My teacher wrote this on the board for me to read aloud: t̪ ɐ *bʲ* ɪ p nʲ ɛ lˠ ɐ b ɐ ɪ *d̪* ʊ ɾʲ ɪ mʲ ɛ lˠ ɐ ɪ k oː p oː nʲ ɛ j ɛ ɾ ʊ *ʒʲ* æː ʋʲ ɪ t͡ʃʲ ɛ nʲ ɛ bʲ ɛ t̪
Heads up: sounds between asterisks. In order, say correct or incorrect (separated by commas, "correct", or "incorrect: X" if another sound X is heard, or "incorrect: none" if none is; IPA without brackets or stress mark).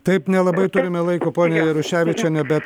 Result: incorrect: none, incorrect: t̪, incorrect: ʃʲ